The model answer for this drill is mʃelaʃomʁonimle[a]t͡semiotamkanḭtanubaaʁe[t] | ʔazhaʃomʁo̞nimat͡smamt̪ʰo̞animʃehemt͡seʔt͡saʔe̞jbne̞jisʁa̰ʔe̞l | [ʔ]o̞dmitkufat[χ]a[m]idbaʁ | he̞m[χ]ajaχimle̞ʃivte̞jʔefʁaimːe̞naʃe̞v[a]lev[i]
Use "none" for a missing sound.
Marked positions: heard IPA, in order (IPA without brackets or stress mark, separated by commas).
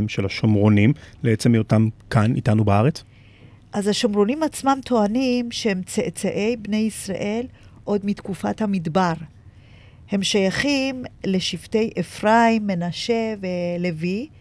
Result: e, t͡s, ʔ, h, m, ʃ, e, i